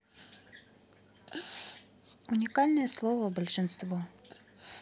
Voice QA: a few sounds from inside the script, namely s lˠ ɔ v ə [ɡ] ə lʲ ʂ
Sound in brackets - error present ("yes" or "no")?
yes